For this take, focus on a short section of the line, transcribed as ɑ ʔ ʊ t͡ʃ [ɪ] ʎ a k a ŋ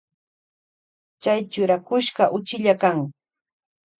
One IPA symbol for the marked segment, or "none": ɪ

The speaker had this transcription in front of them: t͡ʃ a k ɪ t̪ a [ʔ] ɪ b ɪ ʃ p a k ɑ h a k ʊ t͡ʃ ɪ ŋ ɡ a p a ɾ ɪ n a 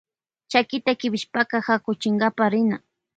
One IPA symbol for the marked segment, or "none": k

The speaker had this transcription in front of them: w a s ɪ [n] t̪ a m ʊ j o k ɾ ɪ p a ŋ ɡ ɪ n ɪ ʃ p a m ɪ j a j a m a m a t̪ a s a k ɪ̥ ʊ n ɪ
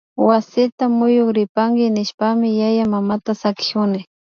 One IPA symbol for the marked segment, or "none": none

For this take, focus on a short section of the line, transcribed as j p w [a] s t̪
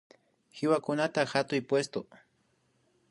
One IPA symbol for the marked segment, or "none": e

